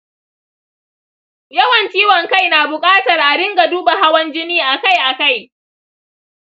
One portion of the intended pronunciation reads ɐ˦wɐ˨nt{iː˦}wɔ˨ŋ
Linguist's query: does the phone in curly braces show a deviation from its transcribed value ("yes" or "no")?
no